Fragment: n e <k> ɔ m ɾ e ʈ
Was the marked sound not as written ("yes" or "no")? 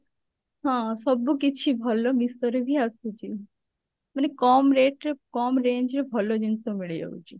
no